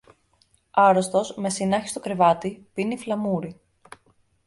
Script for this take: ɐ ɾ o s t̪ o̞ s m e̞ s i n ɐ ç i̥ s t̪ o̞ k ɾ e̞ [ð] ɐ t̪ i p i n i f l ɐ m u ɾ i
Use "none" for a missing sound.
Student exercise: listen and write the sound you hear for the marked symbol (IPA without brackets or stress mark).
v